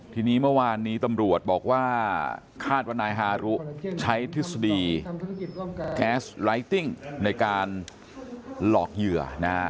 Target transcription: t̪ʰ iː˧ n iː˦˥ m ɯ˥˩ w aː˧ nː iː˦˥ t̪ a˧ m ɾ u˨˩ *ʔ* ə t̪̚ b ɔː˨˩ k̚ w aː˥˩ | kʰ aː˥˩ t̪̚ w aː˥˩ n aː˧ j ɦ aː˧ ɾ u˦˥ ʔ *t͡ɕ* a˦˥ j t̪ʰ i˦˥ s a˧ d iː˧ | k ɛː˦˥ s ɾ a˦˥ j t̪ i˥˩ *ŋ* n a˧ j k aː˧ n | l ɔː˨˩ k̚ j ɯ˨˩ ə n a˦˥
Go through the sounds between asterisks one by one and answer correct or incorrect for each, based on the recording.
incorrect: none, incorrect: t͡ɕʰ, correct

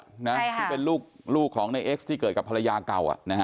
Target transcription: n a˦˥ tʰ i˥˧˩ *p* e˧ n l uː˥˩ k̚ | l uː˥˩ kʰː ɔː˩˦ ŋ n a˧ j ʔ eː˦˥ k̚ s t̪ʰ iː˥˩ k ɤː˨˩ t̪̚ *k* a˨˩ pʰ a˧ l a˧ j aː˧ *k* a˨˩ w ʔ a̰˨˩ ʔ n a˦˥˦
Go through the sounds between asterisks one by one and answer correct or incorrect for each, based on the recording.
correct, correct, correct

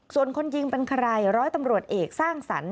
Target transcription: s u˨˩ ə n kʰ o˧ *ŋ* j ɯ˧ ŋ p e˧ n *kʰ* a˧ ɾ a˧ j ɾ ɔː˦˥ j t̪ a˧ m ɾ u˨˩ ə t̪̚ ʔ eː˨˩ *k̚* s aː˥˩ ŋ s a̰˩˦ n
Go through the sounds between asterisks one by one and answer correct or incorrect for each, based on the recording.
incorrect: n, correct, correct

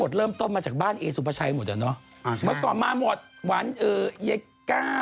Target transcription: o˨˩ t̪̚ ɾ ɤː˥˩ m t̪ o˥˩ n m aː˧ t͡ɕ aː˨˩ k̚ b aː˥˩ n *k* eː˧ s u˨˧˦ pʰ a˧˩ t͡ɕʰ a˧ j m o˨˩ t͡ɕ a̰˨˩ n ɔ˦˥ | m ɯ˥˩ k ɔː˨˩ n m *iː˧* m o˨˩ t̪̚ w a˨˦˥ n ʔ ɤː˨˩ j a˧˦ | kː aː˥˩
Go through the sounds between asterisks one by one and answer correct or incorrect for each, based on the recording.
incorrect: ʔ, incorrect: aː˧

